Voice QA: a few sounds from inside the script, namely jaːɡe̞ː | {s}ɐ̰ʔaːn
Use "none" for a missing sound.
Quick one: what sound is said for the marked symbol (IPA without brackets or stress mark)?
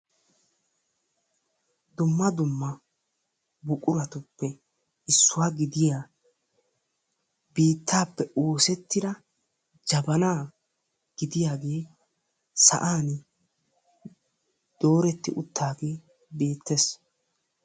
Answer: s